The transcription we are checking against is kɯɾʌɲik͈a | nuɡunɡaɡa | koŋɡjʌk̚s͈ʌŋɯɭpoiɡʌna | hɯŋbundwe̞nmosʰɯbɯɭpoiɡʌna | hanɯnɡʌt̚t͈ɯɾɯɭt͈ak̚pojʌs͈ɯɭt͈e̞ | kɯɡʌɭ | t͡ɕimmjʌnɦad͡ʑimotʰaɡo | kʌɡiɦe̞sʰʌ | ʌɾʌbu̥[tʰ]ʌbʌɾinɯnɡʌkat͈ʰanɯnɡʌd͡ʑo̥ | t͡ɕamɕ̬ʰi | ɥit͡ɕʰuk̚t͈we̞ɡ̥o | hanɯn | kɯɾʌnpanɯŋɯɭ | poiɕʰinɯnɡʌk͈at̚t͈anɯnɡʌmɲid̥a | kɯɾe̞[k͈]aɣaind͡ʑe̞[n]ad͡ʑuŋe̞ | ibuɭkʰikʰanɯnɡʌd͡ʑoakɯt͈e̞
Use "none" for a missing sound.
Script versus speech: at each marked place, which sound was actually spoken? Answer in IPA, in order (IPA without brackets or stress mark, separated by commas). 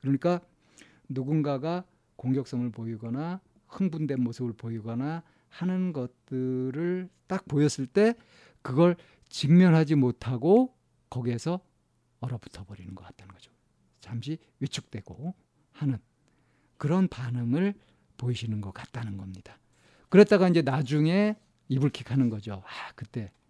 tʰ, t͈, n